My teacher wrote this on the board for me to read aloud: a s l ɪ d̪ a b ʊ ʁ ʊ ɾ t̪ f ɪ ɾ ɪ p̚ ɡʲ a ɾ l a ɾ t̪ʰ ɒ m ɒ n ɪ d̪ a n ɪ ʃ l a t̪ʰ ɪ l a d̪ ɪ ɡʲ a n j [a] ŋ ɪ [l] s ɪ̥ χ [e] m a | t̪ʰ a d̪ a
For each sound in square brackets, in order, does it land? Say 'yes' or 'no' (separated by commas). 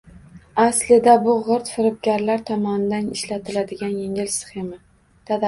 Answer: no, yes, yes